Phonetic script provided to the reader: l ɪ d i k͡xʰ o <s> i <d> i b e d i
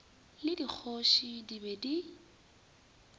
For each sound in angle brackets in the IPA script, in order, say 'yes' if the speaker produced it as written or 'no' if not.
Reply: no, yes

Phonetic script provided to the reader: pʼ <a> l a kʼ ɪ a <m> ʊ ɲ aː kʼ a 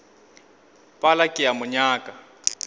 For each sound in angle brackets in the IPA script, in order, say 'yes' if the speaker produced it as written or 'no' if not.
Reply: yes, yes

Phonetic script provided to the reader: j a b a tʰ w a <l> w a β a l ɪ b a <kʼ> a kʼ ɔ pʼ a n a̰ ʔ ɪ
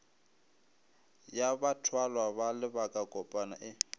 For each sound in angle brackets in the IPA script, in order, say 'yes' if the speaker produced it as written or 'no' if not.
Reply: yes, yes

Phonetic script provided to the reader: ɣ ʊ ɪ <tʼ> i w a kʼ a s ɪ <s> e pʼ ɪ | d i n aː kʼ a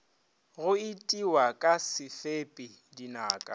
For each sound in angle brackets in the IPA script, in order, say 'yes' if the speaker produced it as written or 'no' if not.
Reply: yes, no

